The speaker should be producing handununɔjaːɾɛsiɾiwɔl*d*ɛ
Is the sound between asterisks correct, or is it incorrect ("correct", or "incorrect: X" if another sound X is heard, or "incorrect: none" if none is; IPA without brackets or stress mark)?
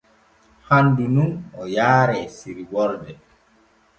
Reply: correct